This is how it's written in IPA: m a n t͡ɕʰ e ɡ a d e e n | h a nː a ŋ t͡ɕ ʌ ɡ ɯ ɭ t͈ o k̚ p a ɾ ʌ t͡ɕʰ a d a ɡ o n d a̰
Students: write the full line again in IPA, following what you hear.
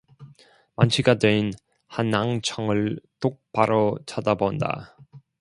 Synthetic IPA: m a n t͡ɕʰ i ɡ a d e i n | h a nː a ŋ t͡ɕʰ ʌ ŋ ɯ ɭ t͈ o k̚ p a ɾ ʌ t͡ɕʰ a d a b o n d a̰